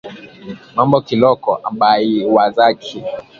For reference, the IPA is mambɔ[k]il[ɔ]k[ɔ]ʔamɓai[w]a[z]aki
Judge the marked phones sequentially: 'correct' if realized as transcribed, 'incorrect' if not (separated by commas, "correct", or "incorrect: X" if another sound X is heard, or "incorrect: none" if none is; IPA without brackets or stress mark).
correct, correct, correct, correct, correct